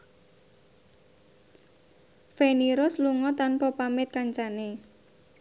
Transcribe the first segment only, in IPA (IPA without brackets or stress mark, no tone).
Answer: f